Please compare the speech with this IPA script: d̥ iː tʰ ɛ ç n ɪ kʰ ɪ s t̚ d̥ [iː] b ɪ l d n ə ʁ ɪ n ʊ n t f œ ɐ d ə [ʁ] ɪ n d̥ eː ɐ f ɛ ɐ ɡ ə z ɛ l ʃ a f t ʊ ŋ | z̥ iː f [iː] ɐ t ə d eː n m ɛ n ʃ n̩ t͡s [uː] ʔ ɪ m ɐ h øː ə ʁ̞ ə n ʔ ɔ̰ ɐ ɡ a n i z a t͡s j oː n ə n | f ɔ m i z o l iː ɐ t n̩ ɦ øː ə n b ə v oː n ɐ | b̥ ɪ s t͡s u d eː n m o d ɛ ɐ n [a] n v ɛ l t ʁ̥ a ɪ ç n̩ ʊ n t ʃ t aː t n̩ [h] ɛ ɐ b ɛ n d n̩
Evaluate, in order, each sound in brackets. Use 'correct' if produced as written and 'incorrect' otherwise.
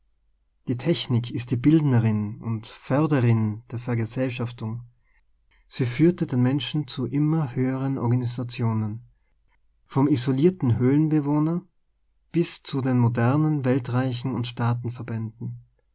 correct, correct, incorrect: yː, incorrect: u, incorrect: ə, incorrect: f

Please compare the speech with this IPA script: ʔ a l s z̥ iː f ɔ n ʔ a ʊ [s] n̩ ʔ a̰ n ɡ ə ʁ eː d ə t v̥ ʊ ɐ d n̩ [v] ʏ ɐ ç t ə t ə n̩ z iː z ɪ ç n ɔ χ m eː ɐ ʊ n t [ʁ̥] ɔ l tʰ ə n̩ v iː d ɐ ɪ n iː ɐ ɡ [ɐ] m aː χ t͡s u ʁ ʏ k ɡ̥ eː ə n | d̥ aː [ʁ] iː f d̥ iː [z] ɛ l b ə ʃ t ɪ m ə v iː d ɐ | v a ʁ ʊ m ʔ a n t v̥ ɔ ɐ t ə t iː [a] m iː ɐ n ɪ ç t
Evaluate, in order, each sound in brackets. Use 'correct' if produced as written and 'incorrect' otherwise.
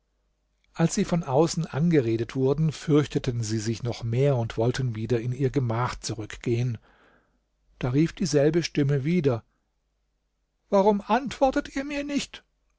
correct, incorrect: f, incorrect: v̥, incorrect: ə, correct, correct, incorrect: ɐ

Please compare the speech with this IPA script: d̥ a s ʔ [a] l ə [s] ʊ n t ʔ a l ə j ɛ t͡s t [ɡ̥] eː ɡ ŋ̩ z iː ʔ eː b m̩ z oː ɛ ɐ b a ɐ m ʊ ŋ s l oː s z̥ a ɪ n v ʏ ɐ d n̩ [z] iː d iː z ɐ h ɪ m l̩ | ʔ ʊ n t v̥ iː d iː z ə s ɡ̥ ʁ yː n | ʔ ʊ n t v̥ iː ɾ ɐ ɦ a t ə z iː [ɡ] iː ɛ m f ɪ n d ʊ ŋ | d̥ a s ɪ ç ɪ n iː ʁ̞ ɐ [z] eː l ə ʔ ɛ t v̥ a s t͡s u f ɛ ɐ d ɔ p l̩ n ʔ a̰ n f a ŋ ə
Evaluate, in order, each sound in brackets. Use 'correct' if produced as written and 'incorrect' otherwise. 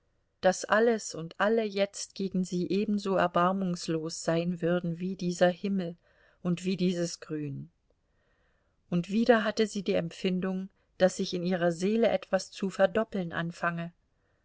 correct, correct, correct, incorrect: v, incorrect: d, correct

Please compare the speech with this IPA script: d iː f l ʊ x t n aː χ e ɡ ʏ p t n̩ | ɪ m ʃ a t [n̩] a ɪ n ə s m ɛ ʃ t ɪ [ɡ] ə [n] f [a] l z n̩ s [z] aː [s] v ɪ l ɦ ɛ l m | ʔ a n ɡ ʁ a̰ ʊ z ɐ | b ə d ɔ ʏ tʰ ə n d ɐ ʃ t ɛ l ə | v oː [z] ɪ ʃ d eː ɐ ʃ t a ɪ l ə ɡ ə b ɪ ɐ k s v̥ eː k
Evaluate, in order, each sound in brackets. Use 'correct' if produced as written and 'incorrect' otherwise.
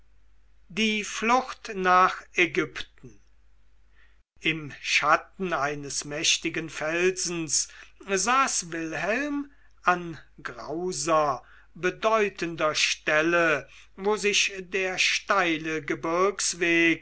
correct, correct, correct, incorrect: ɛ, correct, correct, correct

